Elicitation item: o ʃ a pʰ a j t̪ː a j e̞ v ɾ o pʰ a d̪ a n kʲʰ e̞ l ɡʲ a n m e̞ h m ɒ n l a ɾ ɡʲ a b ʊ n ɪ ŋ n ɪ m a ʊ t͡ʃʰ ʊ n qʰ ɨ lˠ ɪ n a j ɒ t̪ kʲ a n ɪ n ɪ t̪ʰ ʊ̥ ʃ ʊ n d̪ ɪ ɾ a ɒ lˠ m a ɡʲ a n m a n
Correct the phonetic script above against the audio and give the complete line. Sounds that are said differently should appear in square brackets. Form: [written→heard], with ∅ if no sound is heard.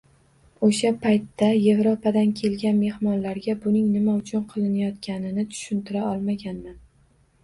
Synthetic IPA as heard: o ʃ a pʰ a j t̪ː a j e̞ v ɾ o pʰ a d̪ a n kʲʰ e̞ l ɡʲ a n m e̞ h m ɒ n l a ɾ ɡʲ a b ʊ n ɪ ŋ n ɪ m a ʊ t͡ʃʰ ʊ n qʰ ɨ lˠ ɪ n a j ɒ t̪ kʲ a n ɪ n ɪ t̪ʰ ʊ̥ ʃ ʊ n [d̪→t̪] ɪ ɾ a ɒ lˠ m a ɡʲ a n m a n